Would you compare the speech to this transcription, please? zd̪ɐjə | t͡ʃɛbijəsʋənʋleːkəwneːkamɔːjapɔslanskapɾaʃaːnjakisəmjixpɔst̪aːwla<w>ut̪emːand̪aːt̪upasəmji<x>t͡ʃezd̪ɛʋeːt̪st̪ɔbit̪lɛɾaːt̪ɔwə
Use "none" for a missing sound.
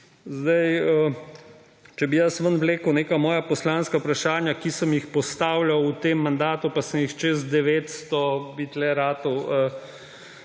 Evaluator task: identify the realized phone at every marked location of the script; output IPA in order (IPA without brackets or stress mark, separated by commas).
w, x